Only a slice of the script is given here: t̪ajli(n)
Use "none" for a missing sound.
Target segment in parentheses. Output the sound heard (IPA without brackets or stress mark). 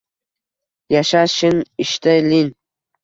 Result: n